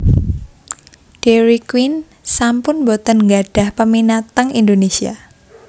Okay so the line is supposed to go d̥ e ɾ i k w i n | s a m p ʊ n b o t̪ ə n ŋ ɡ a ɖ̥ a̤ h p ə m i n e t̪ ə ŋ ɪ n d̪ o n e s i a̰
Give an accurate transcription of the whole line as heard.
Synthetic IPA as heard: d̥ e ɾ i k w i n | s a m p ʊ n b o t̪ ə n ŋ ɡ a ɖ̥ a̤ h p ə m i n a t̪ ə ŋ i n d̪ o n e s i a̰